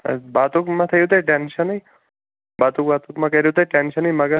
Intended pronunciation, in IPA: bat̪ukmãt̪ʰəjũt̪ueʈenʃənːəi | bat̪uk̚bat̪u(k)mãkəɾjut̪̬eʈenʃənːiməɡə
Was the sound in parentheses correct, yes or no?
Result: yes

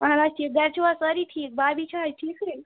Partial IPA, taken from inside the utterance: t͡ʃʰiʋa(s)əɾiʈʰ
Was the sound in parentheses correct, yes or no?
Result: yes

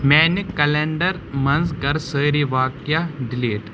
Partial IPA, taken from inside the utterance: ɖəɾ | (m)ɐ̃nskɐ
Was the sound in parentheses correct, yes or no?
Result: yes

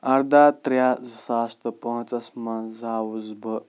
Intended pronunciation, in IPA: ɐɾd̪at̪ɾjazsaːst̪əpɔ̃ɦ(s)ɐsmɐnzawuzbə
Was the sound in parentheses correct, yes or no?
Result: no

